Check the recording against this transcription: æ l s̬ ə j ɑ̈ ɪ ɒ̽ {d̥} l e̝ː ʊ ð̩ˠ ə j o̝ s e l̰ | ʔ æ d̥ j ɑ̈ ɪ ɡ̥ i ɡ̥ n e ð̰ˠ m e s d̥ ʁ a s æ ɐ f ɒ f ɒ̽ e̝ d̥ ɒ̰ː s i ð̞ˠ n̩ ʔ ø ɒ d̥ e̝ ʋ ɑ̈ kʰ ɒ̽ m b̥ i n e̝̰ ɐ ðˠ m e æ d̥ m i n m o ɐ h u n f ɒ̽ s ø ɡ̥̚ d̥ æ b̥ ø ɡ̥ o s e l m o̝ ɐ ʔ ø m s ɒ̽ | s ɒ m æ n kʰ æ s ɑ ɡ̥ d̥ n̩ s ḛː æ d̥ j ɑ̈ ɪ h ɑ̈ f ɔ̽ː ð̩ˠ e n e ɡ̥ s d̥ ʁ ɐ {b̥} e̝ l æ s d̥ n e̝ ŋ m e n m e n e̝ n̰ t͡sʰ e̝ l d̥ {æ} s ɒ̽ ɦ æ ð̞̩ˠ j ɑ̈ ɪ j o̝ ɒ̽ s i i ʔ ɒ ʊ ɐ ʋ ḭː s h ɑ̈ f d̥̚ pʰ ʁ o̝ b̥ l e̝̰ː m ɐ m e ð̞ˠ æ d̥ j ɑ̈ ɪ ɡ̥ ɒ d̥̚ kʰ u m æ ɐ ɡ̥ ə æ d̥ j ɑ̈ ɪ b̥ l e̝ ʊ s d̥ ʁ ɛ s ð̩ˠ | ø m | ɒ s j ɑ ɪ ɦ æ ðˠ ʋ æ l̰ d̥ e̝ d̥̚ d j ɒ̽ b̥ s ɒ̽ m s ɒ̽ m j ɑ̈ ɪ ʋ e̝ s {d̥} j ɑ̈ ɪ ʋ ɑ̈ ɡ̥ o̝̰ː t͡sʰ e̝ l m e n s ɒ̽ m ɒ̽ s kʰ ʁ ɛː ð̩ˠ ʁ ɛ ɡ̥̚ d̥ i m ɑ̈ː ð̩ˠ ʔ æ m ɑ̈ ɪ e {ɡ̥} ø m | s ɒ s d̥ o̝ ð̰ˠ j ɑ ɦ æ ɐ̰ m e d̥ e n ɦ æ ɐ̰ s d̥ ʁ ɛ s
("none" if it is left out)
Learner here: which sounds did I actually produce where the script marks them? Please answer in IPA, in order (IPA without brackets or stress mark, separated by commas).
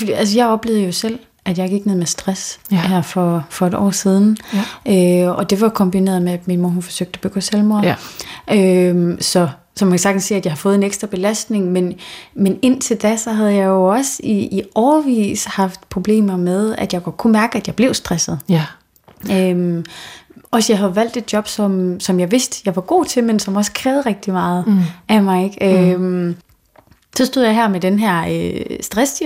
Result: b̥, b̥, æ, d̥, ɡ̥